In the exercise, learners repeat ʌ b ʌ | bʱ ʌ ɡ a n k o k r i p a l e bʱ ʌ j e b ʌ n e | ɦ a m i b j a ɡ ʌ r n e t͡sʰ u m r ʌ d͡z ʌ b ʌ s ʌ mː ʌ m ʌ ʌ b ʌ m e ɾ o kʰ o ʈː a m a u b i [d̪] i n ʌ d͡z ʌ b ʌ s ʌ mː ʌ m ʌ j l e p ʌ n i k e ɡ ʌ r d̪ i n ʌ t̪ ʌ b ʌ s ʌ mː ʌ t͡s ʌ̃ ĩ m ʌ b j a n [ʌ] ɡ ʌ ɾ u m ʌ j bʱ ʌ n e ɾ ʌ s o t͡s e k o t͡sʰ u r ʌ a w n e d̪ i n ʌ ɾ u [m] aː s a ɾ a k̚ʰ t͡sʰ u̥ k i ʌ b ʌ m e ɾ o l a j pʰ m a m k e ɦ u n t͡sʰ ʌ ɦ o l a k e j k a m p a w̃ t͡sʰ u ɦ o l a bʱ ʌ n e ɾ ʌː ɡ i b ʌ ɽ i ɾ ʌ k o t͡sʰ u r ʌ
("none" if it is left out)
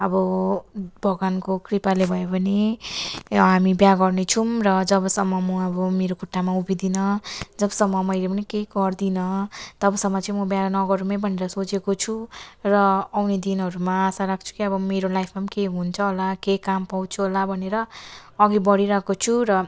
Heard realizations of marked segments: d̪, ʌ, m

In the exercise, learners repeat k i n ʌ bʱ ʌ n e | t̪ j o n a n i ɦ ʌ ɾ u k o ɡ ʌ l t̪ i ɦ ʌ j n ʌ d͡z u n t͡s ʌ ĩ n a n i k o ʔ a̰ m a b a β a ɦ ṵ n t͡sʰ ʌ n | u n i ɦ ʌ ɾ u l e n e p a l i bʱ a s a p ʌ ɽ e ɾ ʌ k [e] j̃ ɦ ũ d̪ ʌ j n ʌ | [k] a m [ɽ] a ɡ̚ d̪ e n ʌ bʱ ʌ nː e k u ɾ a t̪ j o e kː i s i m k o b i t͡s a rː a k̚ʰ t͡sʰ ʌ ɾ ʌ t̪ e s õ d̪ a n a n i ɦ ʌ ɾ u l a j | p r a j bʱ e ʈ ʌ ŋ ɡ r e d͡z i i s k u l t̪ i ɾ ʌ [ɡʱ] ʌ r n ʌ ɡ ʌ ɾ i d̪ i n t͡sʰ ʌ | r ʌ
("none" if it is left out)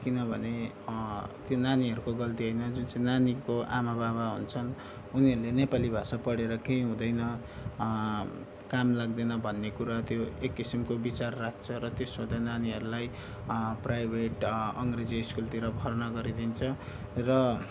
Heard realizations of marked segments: e, k, l, bʱ

